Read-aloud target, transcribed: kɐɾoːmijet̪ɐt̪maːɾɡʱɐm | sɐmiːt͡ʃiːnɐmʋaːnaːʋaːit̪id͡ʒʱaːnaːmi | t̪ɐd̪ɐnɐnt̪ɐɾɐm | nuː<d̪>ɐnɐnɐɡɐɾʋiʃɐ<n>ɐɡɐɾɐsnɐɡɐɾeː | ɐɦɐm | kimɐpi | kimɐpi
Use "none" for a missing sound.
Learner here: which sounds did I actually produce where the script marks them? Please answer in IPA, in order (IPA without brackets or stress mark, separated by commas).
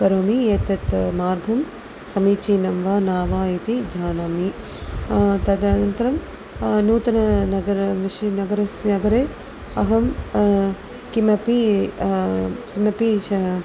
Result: t̪, n